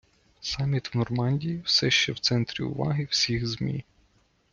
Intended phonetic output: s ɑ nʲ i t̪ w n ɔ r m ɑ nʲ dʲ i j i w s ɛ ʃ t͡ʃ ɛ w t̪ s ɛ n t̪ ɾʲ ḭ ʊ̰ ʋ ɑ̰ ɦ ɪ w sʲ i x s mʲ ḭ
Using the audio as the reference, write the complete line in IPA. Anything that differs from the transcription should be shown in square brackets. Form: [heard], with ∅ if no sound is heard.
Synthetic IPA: s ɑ [mʲ] i t̪ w n ɔ r m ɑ nʲ dʲ i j i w s ɛ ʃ t͡ʃ ɛ w t̪ s ɛ n t̪ ɾʲ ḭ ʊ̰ ʋ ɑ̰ ɦ ɪ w sʲ i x [z] mʲ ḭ